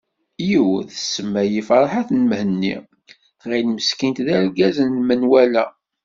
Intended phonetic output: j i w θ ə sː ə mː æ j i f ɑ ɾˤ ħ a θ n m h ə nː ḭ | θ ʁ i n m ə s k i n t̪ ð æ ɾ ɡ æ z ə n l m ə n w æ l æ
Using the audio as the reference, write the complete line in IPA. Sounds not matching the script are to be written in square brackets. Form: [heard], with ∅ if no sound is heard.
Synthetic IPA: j i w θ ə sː ə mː æ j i f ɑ ɾˤ ħ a θ n m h ə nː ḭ | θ ʁ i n m ə s k i n t̪ ð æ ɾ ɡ æ z ə n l m ə n w æ l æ